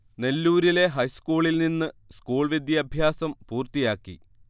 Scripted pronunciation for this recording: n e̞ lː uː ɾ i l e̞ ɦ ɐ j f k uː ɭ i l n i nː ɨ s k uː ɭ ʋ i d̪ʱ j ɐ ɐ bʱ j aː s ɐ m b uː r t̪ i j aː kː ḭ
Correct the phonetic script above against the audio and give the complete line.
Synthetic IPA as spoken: n e̞ lː uː ɾ i l e̞ ɦ ɐ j s k uː ɭ i l n i nː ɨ s k uː ɭ ʋ i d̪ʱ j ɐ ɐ bʱ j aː s ɐ m p uː r t̪ i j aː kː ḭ